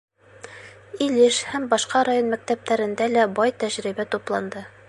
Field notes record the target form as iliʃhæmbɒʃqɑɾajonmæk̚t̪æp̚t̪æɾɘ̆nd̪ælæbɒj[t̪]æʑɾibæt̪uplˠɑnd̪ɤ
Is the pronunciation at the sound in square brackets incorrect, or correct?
correct